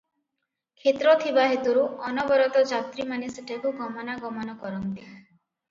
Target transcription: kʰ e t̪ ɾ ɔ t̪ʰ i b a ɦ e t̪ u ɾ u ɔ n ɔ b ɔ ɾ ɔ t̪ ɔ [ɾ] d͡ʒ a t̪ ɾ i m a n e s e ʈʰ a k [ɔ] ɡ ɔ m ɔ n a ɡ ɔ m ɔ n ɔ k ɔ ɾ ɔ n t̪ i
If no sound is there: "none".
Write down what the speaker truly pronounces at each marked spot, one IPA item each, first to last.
none, u

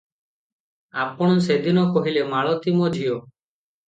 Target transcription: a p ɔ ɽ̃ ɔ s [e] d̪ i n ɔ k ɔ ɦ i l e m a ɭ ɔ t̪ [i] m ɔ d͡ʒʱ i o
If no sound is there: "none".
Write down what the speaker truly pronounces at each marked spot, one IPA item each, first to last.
e, i

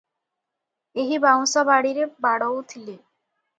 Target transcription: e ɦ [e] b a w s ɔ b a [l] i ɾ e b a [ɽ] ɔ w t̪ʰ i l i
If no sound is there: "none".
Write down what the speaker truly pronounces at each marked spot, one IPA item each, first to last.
i, ɽ, ɽ

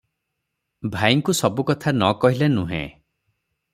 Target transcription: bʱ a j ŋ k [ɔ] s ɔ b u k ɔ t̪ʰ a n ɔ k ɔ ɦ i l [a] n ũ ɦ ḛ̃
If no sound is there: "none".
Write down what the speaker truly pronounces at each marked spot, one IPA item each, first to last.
u, e

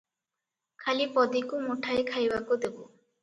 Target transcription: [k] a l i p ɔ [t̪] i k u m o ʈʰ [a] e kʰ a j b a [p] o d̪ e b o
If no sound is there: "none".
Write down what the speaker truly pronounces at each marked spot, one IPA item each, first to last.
kʰ, d̪, a, k

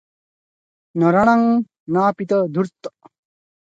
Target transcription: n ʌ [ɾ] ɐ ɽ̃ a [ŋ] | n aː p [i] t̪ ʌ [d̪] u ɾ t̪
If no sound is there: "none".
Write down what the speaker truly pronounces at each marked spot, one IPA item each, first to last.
ɾ, ŋ, i, d̪

